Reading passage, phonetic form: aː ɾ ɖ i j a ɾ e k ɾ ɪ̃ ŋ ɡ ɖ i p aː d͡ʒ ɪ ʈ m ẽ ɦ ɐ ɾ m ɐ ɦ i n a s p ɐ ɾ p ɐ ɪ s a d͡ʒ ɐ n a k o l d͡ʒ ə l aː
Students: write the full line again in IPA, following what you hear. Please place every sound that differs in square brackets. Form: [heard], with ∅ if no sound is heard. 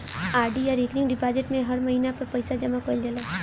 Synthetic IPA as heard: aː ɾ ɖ i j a ɾ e k ɾ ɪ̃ ŋ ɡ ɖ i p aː d͡ʒ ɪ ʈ m ẽ ɦ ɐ ɾ m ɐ ɦ i n a [∅] p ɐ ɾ p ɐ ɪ s a d͡ʒ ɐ [m] a k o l d͡ʒ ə l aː